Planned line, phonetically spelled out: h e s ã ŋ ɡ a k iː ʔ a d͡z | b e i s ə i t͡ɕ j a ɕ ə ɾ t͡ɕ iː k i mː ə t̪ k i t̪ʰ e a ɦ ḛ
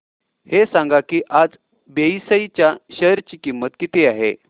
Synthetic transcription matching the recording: h e s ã ŋ ɡ a k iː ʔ a d͡z | b e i s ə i t͡ɕ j a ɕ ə ɾ t͡ɕ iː k i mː ə t̪ k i t̪ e a ɦ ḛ